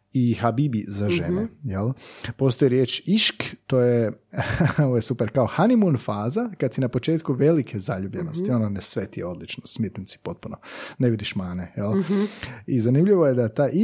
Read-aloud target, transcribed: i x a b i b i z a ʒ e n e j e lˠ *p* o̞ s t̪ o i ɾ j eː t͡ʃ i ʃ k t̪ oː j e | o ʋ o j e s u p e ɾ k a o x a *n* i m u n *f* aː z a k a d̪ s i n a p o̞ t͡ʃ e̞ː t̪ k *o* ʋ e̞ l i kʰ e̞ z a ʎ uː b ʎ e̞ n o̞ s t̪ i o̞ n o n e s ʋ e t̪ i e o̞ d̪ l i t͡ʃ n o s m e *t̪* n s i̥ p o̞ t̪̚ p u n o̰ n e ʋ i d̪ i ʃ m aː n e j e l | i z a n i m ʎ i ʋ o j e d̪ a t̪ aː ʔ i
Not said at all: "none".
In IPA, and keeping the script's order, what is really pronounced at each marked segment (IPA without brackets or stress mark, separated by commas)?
p, n, f, u, t̪